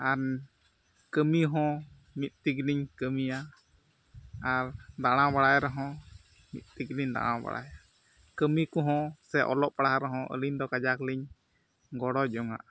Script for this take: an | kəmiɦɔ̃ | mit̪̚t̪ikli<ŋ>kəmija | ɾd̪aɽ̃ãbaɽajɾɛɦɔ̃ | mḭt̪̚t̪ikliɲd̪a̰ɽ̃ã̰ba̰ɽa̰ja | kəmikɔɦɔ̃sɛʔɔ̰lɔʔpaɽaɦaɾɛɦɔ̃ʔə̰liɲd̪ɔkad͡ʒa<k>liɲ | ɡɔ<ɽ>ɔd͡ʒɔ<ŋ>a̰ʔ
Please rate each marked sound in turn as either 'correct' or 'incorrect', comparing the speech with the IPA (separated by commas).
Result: incorrect, correct, correct, correct